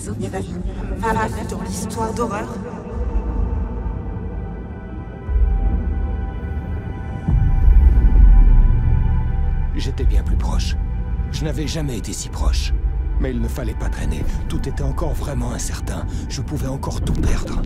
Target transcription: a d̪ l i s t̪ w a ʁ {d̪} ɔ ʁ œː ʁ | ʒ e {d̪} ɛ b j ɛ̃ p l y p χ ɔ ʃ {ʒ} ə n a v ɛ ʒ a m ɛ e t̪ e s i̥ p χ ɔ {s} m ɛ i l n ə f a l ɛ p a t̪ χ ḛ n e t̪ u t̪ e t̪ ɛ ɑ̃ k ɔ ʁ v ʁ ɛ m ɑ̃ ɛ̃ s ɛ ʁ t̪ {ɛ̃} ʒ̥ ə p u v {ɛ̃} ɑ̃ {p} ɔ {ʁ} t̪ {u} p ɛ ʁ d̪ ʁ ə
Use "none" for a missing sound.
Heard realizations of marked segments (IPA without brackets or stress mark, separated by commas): d̪, t̪, ʒ, ʃ, ɛ̃, ɛ, k, ʁ, u